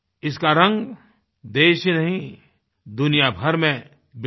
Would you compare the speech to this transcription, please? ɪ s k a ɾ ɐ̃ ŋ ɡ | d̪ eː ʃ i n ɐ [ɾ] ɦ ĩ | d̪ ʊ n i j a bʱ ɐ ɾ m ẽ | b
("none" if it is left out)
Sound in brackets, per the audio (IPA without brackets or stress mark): none